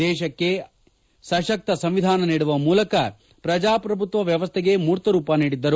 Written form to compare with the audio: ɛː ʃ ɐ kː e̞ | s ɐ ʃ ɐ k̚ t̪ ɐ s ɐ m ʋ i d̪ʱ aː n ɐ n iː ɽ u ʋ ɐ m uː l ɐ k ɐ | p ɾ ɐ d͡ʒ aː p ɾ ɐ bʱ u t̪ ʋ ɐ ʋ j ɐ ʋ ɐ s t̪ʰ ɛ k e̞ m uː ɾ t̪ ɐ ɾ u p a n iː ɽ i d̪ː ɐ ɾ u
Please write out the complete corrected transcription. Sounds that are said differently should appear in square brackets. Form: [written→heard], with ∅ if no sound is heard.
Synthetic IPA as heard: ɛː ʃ ɐ kː e̞ | s ɐ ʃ ɐ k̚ t̪ ɐ s ɐ m ʋ i d̪ʱ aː n ɐ n iː ɽ u ʋ ɐ m uː l ɐ k ɐ | p ɾ ɐ d͡ʒ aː p ɾ ɐ bʱ u t̪ ʋ ɐ ʋ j ɐ ʋ ɐ s t̪ʰ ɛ [k→ɡ] e̞ m uː ɾ t̪ ɐ ɾ [u→uː] p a n iː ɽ i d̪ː ɐ ɾ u